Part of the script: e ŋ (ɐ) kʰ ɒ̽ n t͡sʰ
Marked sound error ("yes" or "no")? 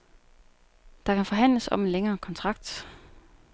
yes